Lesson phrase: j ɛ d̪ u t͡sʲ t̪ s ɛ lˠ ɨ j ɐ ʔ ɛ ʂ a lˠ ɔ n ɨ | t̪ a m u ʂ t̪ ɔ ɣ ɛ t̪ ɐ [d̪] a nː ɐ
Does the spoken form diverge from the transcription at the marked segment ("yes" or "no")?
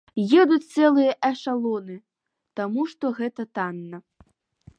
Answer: yes